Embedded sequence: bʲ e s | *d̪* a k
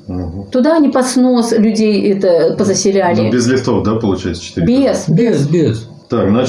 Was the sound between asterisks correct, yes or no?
no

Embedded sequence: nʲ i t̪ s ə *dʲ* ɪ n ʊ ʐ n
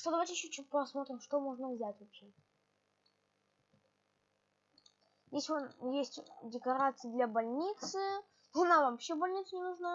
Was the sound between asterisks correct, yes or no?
no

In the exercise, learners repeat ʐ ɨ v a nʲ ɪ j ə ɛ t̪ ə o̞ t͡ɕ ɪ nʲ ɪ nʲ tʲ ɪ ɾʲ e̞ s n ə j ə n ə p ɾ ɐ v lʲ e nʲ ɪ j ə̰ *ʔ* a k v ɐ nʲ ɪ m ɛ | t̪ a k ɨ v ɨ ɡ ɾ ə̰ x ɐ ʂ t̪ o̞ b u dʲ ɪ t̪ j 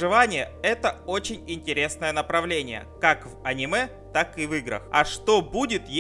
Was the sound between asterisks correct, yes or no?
no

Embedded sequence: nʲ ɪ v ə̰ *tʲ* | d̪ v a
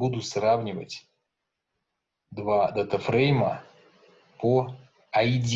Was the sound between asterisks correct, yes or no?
yes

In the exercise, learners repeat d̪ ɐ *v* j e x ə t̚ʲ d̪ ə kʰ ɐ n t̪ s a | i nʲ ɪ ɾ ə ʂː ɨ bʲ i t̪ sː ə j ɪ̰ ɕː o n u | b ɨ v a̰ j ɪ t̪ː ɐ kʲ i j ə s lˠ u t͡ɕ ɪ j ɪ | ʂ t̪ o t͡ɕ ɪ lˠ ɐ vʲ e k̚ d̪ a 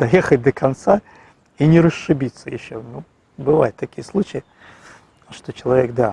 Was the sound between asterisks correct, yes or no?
no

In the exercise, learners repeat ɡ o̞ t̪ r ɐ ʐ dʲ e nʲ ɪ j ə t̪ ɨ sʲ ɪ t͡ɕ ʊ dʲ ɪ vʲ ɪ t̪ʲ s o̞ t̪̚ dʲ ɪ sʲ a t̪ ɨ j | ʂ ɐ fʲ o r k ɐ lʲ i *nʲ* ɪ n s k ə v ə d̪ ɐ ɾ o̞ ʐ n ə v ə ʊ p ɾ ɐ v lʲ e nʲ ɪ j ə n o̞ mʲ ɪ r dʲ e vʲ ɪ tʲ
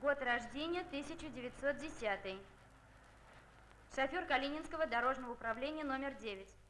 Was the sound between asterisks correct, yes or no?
yes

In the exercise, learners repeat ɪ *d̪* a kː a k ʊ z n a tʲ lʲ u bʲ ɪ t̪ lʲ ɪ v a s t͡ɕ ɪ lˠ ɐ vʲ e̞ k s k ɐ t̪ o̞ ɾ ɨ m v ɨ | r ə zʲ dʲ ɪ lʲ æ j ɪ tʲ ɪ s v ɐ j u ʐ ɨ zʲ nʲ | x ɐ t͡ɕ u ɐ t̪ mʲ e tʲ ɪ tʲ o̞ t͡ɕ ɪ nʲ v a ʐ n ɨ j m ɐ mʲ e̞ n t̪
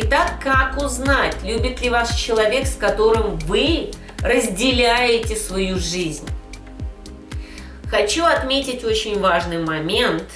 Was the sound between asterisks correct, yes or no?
no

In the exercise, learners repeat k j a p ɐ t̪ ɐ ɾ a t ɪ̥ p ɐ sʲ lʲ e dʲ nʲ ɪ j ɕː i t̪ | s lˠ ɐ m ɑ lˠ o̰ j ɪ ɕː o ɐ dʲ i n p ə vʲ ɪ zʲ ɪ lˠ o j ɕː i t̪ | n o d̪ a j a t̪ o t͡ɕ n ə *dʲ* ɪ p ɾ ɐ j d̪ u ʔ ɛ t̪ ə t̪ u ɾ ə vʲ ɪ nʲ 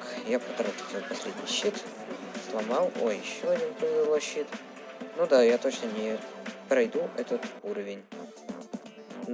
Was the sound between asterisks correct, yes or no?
no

